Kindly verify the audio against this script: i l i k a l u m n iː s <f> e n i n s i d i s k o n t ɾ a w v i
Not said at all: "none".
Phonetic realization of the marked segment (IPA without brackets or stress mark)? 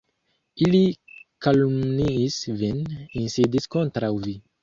v